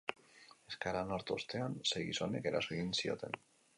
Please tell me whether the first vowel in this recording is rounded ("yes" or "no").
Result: no